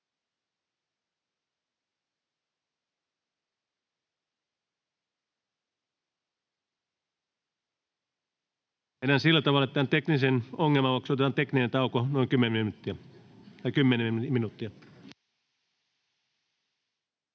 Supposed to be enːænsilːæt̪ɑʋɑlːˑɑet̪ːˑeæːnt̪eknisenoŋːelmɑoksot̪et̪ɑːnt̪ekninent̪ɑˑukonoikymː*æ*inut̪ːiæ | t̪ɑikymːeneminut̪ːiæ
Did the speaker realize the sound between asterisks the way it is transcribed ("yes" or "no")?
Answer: no